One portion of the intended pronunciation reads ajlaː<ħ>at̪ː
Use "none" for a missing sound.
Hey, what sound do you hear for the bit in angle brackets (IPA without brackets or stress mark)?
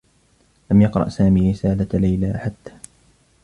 ħ